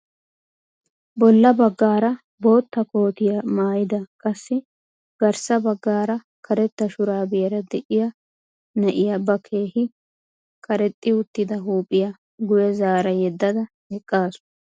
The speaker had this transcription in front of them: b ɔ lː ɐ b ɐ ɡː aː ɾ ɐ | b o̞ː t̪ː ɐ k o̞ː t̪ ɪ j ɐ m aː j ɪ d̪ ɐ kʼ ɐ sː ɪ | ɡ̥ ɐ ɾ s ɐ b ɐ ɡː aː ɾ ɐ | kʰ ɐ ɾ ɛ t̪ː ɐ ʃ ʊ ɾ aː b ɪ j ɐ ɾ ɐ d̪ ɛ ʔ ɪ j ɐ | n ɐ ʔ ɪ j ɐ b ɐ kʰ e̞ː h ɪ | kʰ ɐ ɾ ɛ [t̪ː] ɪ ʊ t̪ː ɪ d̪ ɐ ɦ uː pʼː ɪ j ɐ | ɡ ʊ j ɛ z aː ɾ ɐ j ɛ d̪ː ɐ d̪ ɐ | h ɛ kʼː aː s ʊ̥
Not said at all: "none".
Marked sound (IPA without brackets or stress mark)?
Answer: t̪ʼː